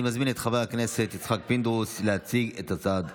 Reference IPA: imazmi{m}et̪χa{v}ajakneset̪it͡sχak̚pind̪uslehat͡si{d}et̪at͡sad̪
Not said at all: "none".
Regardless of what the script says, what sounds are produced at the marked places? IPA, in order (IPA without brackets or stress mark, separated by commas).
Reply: n, v, ɡ